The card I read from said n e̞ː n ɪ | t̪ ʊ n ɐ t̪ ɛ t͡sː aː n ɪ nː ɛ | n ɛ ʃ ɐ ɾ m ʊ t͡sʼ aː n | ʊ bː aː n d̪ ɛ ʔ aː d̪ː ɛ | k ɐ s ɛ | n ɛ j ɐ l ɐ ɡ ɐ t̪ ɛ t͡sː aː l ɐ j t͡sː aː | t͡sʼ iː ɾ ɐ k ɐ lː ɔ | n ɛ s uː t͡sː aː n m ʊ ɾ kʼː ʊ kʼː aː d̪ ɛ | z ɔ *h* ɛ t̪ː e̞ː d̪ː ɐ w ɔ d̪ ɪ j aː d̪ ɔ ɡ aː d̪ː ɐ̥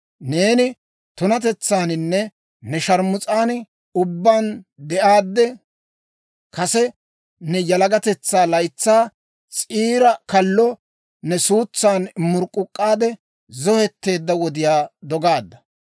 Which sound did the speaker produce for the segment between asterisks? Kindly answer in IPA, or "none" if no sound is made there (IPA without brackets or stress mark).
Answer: h